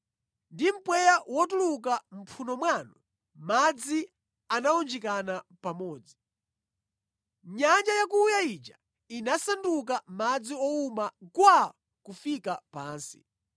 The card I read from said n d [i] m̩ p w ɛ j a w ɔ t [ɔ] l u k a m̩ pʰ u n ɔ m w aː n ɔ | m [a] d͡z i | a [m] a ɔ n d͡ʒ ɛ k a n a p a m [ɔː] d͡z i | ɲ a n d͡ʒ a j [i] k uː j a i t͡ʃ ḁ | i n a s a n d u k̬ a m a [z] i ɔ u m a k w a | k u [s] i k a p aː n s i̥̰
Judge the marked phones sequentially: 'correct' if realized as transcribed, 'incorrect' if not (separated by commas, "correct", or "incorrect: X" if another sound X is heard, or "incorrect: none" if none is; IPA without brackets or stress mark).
correct, incorrect: u, correct, incorrect: n, correct, incorrect: a, incorrect: d͡z, incorrect: f